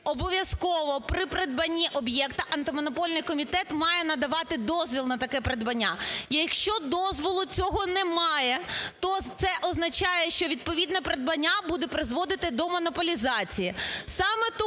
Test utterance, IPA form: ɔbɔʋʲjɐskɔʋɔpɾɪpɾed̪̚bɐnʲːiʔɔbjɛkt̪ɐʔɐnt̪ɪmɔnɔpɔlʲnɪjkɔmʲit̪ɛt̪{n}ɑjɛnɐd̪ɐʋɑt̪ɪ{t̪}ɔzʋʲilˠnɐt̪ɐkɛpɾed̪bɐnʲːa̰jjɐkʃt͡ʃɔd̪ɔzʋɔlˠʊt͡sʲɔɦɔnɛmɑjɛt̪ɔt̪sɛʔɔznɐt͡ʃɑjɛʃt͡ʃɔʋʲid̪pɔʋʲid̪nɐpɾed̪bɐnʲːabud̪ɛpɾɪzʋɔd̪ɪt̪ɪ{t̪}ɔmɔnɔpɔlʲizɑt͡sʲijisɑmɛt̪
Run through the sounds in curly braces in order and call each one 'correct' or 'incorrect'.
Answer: incorrect, incorrect, incorrect

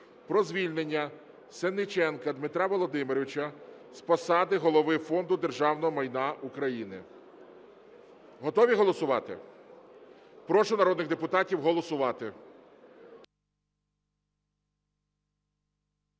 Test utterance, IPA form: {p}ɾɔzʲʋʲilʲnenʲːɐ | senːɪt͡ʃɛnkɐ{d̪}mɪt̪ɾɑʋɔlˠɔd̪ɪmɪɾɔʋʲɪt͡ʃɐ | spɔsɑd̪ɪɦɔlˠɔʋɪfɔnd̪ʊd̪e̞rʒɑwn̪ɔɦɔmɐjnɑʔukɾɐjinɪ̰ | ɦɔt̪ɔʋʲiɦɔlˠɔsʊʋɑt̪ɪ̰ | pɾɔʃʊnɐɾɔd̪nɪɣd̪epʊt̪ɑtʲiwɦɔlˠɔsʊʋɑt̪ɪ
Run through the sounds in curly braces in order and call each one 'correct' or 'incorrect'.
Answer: correct, correct

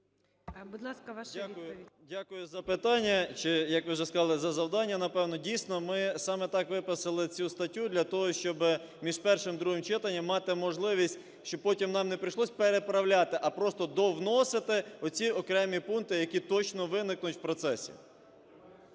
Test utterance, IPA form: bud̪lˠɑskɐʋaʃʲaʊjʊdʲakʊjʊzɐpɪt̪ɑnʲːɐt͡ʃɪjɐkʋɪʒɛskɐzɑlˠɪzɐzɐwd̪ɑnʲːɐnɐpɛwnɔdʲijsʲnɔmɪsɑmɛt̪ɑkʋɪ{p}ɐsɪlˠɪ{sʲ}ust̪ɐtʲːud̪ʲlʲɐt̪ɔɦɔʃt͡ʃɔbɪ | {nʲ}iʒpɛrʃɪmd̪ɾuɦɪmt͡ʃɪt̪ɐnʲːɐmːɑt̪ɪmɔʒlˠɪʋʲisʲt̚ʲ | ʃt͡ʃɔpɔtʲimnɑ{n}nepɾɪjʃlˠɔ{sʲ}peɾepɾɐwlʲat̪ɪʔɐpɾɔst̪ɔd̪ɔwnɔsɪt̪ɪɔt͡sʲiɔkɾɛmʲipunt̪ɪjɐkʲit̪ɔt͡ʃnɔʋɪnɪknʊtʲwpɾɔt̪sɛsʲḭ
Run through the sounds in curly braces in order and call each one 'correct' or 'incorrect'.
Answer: correct, incorrect, incorrect, incorrect, correct

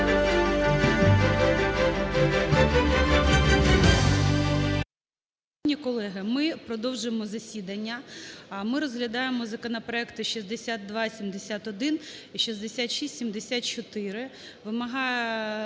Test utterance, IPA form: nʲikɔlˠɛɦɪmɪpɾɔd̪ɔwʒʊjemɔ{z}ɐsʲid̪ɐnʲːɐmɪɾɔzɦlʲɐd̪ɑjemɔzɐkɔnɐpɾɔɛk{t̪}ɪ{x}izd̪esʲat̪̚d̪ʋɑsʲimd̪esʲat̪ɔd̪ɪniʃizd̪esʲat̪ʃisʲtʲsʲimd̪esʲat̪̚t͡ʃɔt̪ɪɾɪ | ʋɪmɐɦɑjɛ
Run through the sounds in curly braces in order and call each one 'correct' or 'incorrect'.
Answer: correct, correct, incorrect

